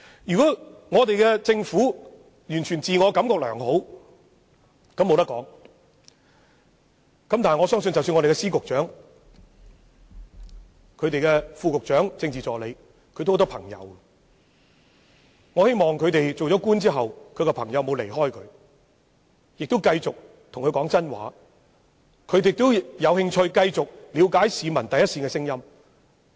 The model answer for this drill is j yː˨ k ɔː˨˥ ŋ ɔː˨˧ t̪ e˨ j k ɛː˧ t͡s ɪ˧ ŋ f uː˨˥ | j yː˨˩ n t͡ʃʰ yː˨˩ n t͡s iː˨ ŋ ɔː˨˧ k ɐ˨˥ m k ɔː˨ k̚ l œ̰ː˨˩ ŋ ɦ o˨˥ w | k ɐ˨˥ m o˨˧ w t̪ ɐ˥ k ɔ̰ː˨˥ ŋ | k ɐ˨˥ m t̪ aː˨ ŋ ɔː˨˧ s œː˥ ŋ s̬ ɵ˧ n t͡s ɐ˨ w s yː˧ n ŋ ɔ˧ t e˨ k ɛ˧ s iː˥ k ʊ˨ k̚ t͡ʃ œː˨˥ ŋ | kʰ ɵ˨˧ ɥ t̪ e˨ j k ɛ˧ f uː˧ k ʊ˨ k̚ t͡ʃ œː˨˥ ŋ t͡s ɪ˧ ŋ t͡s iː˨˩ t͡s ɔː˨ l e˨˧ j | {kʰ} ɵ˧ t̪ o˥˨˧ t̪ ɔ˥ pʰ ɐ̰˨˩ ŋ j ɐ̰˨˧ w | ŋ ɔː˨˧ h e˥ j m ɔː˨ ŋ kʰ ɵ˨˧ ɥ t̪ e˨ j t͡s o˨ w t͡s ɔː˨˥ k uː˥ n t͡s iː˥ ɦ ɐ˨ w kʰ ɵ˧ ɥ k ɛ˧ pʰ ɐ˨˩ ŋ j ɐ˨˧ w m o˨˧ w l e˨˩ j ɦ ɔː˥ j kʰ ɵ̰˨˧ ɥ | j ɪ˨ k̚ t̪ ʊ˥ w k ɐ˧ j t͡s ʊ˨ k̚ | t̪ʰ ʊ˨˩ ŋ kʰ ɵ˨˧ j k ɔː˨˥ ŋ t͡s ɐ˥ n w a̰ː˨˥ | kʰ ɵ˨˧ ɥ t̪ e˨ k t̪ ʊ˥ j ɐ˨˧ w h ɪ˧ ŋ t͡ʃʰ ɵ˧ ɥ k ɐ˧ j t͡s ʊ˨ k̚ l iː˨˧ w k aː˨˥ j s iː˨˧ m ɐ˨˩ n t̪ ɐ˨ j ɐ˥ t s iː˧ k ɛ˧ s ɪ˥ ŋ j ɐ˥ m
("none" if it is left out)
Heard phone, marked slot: kʰ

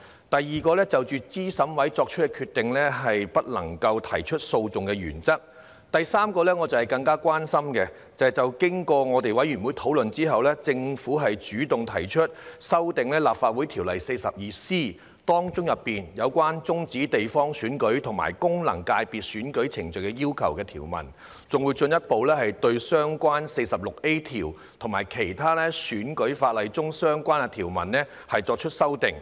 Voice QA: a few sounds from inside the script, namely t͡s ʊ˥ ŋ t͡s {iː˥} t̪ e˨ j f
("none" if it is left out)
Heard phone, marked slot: iː˨˥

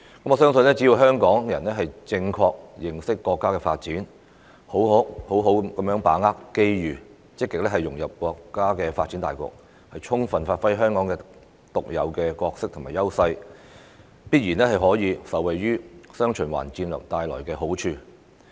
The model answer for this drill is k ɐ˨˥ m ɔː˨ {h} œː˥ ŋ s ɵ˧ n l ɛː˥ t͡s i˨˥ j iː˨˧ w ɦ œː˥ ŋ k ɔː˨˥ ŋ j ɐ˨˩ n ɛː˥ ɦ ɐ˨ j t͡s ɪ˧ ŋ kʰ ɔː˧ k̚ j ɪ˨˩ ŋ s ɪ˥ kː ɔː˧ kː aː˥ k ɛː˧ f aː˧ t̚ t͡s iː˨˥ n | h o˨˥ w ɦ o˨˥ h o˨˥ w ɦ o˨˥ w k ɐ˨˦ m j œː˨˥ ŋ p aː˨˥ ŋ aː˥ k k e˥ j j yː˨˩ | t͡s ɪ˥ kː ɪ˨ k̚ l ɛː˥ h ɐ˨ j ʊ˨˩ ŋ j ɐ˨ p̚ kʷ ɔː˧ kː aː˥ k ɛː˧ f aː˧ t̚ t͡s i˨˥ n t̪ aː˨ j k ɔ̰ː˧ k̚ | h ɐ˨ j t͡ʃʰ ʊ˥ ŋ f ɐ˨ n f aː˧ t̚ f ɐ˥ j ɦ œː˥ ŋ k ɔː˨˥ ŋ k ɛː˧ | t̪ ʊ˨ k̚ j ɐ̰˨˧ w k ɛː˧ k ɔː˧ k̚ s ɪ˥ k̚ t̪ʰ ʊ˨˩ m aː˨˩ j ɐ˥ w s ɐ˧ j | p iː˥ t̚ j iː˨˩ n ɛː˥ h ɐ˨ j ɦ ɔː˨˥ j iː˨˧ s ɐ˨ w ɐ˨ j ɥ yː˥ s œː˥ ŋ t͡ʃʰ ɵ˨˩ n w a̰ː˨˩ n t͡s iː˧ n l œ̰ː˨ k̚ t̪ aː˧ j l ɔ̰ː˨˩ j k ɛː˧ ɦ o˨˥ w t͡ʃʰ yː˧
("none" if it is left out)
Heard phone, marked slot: s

